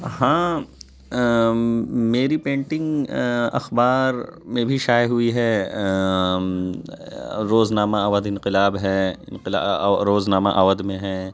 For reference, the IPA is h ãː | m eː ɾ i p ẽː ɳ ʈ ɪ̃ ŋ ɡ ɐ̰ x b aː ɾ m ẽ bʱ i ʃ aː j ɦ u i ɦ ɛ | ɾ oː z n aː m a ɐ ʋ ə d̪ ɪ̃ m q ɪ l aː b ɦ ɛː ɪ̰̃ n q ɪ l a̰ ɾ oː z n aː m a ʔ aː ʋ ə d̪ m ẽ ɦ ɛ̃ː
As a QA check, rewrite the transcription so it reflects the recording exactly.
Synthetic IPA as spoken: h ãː | m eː ɾ i p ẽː ɳ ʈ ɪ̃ ŋ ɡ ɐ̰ x b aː ɾ m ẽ bʱ i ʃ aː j ɦ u i ɦ ɛ | ɾ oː z n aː m a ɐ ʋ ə d̪ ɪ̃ n q ɪ l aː b ɦ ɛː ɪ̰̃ n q ɪ l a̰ ɾ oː z n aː m a ʔ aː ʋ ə d̪ m ẽ ɦ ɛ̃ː